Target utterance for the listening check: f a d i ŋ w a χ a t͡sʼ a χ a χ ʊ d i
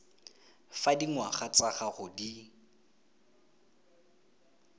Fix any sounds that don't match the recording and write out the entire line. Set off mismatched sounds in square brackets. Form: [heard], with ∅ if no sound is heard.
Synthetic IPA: f a d i ŋ w a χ a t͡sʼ a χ a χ ʊ d i